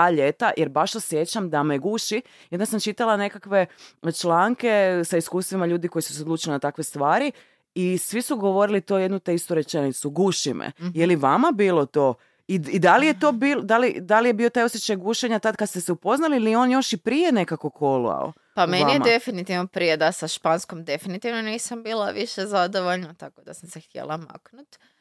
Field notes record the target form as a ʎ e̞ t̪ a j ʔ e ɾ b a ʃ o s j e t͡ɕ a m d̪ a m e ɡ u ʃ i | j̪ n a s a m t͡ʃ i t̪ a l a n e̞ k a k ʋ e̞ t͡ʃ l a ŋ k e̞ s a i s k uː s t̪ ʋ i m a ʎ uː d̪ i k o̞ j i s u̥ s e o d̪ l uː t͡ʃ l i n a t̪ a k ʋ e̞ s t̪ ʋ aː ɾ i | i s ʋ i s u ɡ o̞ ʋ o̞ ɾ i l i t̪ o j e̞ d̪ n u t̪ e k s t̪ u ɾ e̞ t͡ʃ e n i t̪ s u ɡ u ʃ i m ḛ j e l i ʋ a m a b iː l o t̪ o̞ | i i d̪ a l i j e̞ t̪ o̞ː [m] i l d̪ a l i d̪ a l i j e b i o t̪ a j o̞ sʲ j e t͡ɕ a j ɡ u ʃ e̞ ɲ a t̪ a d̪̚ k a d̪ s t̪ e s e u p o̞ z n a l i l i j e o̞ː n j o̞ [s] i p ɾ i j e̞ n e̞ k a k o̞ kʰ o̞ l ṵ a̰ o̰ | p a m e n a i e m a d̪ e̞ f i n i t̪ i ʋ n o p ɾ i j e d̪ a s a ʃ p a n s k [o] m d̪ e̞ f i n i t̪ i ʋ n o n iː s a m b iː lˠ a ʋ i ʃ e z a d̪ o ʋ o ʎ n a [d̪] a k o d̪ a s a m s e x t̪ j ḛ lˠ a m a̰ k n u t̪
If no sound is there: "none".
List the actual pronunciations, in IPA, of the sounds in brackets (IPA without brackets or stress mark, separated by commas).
b, ʃ, o, t̪